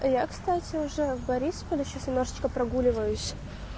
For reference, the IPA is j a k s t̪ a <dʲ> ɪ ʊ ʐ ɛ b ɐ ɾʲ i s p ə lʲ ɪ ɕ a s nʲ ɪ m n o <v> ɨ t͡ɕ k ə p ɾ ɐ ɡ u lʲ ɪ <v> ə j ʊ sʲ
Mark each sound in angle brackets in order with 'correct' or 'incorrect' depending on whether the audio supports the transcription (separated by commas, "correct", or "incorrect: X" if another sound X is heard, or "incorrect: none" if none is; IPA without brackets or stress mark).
incorrect: tʲ, incorrect: ʐ, correct